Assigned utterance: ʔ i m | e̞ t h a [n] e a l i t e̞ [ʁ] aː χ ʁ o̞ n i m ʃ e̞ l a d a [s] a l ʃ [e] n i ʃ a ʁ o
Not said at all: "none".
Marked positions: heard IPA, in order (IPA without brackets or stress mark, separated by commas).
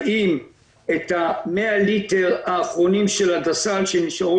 m, ʁ, s, e